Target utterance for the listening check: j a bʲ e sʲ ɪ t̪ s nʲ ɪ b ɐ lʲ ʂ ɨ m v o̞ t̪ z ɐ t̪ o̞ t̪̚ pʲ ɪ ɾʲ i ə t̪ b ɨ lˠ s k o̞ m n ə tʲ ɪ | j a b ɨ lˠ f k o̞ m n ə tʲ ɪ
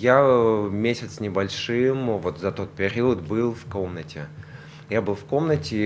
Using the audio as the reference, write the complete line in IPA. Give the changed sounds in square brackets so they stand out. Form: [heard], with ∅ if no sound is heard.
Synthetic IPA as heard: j a [mʲ] e sʲ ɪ t̪ s nʲ ɪ b ɐ lʲ ʂ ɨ m v o̞ t̪ z ɐ t̪ o̞ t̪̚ pʲ ɪ ɾʲ i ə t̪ b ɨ lˠ [f] k o̞ m n ə tʲ ɪ | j a b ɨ lˠ f k o̞ m n ə tʲ ɪ